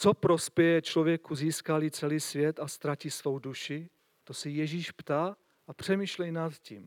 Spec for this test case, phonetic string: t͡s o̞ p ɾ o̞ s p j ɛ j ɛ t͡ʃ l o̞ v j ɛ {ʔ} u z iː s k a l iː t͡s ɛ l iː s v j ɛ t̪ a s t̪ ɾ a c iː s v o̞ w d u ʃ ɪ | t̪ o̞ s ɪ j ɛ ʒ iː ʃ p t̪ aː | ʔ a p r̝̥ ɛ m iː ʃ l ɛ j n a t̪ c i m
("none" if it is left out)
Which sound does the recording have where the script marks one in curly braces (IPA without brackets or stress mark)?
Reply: k